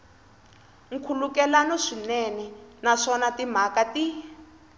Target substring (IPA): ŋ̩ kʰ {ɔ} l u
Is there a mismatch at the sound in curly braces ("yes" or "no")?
yes